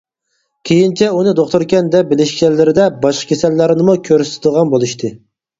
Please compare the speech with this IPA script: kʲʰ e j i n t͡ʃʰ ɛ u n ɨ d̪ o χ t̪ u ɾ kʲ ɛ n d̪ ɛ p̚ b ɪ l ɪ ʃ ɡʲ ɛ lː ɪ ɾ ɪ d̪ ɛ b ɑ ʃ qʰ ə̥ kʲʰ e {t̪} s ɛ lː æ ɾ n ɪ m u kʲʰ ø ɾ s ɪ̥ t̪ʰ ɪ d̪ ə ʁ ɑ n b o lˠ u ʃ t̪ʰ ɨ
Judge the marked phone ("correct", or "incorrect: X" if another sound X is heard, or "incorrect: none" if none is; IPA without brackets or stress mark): incorrect: none